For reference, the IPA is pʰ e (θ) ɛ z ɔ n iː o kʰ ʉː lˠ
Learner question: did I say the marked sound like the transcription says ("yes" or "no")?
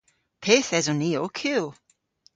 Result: yes